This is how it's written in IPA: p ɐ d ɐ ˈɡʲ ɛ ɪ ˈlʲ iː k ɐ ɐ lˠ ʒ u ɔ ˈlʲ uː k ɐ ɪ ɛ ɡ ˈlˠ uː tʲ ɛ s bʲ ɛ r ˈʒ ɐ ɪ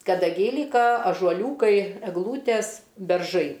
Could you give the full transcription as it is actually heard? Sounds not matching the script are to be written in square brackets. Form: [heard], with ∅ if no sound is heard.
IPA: [k] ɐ d ɐ ˈɡʲ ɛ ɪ ˈlʲ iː k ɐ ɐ [∅] ʒ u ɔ ˈlʲ uː k ɐ ɪ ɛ ɡ ˈlˠ uː tʲ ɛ s bʲ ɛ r ˈʒ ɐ ɪ